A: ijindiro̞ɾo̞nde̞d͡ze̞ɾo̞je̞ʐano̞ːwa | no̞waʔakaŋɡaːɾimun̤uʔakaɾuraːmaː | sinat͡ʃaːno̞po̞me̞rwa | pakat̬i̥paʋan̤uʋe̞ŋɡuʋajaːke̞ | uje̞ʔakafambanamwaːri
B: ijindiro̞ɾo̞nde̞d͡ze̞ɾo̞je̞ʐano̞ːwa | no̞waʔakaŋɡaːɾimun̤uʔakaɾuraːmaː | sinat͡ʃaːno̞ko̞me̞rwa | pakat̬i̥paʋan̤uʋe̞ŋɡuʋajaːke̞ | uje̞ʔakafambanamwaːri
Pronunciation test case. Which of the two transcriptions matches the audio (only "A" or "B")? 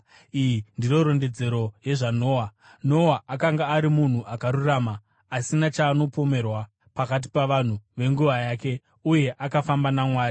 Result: A